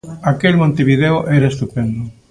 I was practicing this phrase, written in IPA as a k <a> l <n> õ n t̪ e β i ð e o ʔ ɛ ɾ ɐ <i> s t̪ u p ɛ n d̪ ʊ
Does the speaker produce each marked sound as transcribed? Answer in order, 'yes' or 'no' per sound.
no, no, no

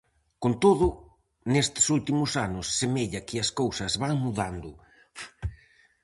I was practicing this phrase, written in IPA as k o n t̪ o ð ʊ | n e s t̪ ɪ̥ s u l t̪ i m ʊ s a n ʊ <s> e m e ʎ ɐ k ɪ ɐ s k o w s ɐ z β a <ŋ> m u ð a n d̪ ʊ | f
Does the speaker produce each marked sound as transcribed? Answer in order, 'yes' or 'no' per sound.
no, yes

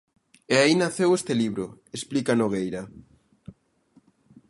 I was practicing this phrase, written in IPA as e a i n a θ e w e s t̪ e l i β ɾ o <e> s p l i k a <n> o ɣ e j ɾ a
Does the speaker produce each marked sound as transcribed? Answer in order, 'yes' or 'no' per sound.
yes, yes

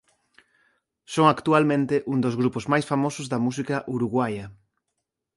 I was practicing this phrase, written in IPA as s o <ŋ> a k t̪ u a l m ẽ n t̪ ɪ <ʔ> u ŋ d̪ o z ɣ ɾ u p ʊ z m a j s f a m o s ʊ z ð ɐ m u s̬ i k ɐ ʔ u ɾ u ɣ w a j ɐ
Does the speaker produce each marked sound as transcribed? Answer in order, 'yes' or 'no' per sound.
yes, yes

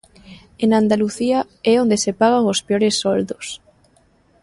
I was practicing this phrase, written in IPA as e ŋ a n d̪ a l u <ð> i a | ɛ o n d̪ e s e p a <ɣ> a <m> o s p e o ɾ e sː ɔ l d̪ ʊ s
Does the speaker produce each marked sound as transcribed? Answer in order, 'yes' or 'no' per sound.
no, yes, no

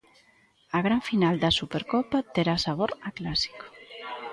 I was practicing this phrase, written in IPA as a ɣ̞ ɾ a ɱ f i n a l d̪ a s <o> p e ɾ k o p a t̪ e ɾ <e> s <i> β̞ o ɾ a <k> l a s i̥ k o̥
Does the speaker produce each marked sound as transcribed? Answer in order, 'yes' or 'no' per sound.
no, no, no, yes

